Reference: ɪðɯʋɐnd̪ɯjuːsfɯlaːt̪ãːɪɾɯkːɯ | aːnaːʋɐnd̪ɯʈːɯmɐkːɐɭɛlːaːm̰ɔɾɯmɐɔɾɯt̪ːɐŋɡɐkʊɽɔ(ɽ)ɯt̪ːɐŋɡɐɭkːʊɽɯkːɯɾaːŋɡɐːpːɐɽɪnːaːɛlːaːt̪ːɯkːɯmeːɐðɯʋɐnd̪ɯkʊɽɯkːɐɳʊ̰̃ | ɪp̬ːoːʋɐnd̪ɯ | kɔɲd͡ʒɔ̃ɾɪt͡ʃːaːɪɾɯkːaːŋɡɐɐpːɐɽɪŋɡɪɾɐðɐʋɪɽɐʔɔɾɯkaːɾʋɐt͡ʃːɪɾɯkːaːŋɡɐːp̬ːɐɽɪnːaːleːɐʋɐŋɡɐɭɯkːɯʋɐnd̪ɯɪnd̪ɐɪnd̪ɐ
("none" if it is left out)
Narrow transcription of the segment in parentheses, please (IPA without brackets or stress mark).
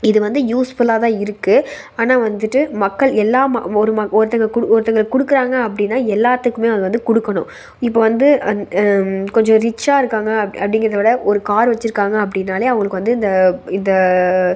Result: ɾ